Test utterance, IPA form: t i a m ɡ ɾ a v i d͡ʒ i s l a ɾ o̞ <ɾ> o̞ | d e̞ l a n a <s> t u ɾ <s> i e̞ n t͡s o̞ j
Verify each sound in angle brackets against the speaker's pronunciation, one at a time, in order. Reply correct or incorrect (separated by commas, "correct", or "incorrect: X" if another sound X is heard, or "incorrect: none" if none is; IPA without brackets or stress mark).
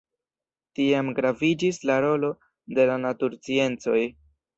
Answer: incorrect: l, incorrect: none, incorrect: t͡s